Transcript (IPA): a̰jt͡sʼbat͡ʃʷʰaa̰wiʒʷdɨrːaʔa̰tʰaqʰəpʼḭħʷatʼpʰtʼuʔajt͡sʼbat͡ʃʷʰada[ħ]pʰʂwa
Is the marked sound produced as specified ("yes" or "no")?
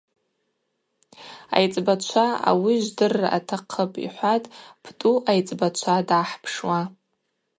yes